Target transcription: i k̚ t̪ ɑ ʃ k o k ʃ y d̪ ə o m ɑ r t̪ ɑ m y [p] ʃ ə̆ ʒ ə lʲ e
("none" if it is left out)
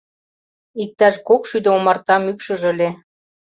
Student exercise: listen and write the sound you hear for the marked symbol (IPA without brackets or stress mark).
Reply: k